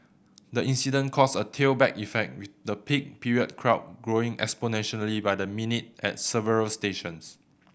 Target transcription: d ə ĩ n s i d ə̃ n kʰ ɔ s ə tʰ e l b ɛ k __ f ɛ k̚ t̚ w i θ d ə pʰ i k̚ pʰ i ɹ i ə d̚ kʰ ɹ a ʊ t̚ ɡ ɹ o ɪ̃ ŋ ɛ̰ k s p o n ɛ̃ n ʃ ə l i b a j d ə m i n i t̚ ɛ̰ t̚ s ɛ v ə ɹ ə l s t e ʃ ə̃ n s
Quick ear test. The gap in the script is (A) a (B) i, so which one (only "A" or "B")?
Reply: B